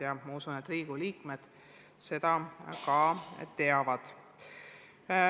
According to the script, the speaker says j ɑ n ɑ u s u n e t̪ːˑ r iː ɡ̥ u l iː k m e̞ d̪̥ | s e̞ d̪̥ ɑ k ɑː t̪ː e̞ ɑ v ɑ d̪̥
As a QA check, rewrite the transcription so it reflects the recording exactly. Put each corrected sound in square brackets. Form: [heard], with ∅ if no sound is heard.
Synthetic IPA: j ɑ [m] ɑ u s u n e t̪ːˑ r iː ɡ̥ u l iː k m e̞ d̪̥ | s e̞ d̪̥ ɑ k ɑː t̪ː e̞ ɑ v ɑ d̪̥